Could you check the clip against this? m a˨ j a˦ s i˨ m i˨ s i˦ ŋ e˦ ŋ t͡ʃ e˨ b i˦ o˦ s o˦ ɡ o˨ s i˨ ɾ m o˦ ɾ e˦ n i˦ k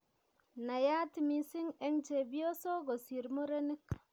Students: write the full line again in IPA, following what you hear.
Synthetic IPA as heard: n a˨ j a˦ t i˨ m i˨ s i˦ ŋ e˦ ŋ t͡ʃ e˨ b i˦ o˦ s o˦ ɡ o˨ s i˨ ɾ m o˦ ɾ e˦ n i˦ k